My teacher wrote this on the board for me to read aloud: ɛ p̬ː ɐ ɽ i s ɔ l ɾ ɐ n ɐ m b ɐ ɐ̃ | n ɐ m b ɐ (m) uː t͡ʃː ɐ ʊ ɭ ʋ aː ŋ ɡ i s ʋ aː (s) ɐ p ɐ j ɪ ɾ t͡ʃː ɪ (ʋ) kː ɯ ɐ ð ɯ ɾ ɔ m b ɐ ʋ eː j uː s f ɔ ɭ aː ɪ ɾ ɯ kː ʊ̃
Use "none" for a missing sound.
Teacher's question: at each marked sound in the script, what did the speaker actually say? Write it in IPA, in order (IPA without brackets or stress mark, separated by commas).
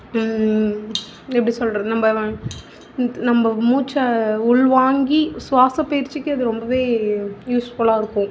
m, s, none